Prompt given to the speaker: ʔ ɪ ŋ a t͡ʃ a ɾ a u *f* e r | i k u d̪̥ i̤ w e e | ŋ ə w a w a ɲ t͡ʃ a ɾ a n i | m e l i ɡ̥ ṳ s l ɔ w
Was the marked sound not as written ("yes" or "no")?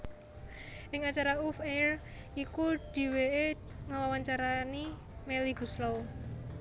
no